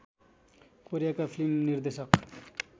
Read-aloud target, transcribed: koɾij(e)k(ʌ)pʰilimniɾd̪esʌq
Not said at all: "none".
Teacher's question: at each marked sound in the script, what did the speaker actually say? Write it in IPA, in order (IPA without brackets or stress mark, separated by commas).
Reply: a, a